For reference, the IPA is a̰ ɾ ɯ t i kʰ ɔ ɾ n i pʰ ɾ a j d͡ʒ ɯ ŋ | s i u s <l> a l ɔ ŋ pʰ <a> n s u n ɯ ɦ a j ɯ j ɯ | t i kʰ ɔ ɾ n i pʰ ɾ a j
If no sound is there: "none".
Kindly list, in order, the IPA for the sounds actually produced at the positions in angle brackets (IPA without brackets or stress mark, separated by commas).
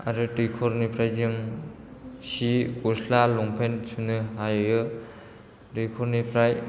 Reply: l, e